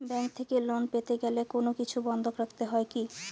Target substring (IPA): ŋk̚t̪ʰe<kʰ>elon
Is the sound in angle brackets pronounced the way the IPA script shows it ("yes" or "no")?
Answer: no